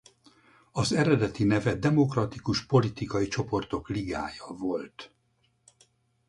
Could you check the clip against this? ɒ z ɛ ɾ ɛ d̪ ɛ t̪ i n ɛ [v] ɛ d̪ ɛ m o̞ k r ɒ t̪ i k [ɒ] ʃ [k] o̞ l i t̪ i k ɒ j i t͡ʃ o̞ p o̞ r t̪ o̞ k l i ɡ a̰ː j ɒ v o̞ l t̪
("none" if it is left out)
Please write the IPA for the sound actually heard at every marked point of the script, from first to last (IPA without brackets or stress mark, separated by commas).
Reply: v, u, p